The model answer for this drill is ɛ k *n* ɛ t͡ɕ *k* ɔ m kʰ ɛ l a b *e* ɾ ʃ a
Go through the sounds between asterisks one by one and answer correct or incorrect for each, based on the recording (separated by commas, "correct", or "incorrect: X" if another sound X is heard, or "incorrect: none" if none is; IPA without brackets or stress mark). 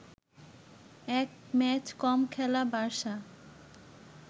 incorrect: m, correct, incorrect: a